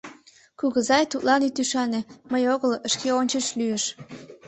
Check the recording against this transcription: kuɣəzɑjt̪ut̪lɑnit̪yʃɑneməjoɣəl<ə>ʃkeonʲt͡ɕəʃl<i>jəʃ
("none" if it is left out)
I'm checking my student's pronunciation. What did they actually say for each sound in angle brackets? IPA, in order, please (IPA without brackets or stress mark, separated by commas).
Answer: ə, y